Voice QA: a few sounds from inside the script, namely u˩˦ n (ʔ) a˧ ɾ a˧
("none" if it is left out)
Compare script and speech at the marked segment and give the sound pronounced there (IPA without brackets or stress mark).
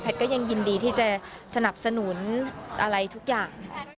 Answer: ʔ